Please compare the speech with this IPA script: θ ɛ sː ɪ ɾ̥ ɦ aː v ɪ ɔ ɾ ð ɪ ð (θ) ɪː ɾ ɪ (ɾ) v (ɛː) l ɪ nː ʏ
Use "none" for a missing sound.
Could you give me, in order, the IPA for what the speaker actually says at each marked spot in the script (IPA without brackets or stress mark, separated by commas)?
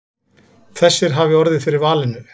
f, ɾ, aː